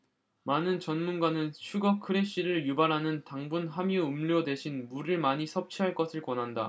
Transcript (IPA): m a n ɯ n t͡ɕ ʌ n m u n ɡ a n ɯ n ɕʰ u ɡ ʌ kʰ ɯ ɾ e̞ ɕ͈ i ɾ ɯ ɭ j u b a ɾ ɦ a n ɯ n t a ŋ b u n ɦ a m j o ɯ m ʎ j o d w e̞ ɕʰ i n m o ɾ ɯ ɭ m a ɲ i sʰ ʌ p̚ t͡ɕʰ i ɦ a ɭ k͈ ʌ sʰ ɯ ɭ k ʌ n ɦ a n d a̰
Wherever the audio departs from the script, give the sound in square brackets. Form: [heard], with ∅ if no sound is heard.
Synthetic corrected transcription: m a n ɯ n t͡ɕ ʌ n m u n ɡ a n ɯ n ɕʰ u ɡ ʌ kʰ ɯ ɾ e̞ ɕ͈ i ɾ ɯ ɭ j u b a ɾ ɦ a n ɯ n t a ŋ b u n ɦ a m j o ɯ m ʎ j o d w e̞ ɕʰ i n m [u] ɾ ɯ ɭ m a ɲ i sʰ ʌ p̚ t͡ɕʰ i ɦ a ɭ k͈ ʌ sʰ ɯ ɭ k ʌ n ɦ a n d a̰